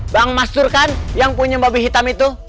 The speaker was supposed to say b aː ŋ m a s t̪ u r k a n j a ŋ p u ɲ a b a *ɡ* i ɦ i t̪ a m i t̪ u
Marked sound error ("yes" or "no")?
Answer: yes